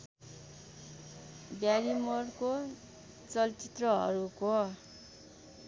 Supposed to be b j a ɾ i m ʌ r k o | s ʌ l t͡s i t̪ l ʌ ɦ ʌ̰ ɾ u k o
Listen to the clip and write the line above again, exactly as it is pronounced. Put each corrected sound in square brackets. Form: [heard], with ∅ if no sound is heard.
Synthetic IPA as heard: b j a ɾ i m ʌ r k o | [t͡s] ʌ l t͡s i t̪ [r] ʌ ɦ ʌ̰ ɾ u k o